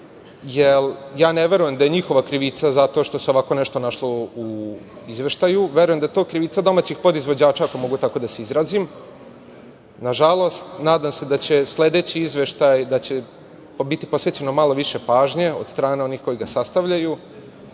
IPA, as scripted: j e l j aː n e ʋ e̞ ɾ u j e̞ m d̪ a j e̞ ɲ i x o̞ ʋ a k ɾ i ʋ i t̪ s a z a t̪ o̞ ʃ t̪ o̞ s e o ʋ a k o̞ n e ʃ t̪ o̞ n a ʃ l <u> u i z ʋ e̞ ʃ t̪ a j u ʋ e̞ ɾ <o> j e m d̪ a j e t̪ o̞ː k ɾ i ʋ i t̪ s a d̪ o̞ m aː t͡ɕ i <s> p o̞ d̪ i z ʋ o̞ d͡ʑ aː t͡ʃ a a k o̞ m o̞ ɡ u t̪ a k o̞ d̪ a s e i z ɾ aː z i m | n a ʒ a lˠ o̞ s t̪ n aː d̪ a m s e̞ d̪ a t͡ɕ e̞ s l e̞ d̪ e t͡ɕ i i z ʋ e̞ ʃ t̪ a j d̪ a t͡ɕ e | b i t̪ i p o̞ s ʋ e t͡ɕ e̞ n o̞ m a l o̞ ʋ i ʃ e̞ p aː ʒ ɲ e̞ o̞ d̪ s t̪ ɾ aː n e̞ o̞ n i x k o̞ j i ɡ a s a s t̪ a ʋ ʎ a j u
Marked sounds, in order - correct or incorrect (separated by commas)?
incorrect, incorrect, incorrect